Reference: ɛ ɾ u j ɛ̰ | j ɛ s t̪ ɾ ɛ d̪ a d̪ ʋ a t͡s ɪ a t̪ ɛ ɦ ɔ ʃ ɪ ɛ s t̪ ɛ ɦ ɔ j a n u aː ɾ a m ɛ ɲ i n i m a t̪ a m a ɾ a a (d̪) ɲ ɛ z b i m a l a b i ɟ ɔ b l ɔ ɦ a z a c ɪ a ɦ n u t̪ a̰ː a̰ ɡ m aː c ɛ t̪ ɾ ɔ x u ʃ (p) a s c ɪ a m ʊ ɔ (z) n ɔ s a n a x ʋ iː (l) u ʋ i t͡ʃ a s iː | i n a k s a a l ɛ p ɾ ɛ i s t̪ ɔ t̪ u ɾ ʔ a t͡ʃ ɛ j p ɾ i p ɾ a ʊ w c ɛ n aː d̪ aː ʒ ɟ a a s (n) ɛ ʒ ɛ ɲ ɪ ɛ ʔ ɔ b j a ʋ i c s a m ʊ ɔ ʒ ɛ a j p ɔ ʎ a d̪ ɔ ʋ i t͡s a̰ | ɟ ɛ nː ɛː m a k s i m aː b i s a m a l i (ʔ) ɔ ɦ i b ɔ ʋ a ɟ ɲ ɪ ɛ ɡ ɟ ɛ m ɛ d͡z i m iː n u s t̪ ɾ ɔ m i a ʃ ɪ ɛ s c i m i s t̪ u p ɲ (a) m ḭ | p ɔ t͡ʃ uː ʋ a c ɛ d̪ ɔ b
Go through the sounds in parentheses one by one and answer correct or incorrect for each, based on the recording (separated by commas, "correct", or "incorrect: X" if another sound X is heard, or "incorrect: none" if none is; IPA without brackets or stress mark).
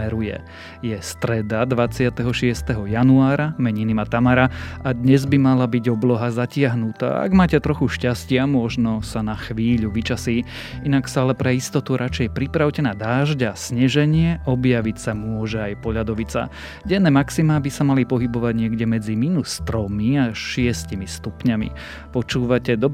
correct, incorrect: c, incorrect: ʒ, incorrect: ʎ, incorrect: ɲ, incorrect: p, correct